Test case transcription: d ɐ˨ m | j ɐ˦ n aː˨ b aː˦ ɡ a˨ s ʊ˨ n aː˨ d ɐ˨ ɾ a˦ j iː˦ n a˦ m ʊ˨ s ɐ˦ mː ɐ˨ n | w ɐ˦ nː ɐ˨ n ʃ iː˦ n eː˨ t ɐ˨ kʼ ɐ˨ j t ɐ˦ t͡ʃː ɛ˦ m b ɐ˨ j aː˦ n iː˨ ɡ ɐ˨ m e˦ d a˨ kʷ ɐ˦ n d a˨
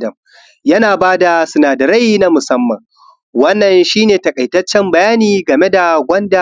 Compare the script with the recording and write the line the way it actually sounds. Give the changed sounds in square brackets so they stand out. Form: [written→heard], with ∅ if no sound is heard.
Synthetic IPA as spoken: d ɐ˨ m | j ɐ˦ n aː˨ b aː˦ [ɡ→d] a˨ s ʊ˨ n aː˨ d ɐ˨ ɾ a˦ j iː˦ n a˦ m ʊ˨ s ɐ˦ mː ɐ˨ [n→ŋ] | w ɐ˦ nː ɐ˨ n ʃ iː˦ n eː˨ t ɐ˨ kʼ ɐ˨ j t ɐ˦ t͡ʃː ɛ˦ m b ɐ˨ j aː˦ n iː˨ ɡ ɐ˨ m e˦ d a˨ [kʷ→ɡʷ] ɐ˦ n d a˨